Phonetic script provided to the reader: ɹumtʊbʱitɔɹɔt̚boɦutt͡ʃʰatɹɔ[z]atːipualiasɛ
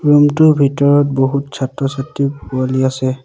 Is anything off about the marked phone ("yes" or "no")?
yes